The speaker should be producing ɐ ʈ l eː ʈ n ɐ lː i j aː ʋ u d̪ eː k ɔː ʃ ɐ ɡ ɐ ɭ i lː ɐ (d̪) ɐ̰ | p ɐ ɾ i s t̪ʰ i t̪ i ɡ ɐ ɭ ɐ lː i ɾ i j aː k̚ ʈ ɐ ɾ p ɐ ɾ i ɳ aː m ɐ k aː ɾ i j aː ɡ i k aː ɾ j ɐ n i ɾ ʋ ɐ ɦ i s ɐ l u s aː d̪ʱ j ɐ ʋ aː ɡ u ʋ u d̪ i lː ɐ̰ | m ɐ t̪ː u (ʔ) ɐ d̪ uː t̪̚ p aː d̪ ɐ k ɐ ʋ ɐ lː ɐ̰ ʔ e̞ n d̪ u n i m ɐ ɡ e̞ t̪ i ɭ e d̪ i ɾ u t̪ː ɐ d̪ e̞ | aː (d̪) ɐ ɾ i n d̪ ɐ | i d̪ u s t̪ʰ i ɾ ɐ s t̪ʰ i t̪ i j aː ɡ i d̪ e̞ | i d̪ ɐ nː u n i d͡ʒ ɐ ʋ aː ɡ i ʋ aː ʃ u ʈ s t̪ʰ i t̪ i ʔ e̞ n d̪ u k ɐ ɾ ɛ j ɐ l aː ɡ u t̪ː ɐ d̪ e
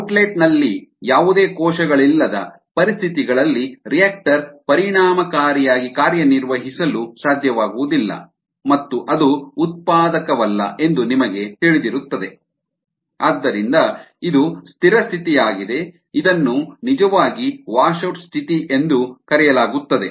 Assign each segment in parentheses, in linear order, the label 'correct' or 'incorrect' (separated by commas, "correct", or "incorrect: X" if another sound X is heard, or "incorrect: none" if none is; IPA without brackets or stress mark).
correct, correct, incorrect: d̪ː